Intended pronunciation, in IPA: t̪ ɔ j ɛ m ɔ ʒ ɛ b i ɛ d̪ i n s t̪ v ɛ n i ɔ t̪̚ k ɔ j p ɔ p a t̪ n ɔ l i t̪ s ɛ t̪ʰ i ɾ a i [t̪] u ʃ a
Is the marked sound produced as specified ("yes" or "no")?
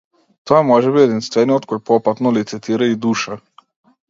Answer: no